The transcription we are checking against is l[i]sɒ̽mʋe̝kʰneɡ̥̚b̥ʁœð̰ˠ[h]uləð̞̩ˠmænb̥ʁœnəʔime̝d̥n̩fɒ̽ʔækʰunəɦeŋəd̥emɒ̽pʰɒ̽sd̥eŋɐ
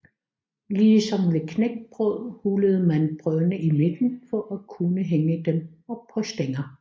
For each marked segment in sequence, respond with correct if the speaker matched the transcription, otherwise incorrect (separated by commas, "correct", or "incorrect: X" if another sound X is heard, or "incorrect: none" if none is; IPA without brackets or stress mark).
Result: incorrect: iː, correct